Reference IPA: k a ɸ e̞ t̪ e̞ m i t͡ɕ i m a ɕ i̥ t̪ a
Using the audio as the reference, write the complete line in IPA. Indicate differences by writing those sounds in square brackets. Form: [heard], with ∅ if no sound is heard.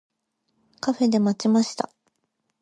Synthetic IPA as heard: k a ɸ e̞ [d̪] e̞ m [a] t͡ɕ i m a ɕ i̥ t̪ a